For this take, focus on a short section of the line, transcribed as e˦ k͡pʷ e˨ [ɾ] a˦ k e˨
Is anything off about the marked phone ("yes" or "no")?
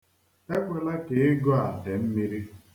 yes